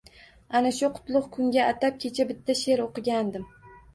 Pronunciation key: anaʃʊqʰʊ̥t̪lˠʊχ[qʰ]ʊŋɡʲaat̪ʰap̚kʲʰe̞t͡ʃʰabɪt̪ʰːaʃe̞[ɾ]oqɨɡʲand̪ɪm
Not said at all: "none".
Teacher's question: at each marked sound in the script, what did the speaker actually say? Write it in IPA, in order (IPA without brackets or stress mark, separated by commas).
kʰ, ɾ